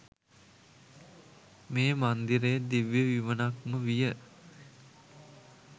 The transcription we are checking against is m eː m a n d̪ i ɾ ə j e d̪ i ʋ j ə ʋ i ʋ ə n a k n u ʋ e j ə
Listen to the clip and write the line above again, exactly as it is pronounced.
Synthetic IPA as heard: m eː m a n d̪ i ɾ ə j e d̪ i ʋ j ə ʋ i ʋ ə n a k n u ʋ i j ə